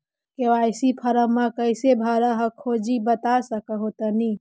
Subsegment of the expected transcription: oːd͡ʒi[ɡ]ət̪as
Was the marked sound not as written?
yes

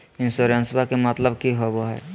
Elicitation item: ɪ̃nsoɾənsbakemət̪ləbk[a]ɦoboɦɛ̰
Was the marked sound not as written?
yes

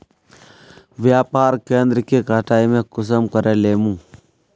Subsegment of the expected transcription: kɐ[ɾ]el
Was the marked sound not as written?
no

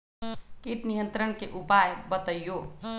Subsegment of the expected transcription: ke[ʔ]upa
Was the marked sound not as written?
no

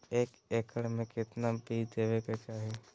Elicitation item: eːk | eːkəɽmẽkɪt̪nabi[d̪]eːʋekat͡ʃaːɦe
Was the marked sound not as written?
no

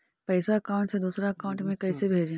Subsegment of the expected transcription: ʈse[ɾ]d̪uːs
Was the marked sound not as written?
yes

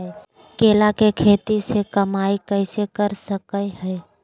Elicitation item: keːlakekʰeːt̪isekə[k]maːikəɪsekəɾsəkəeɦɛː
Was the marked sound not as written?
yes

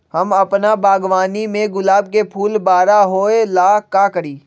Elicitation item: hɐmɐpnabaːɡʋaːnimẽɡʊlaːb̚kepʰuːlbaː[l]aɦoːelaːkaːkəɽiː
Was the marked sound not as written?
yes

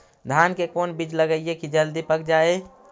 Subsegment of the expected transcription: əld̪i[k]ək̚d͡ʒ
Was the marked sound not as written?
yes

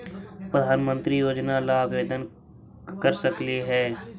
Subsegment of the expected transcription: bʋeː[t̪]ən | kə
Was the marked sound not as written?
yes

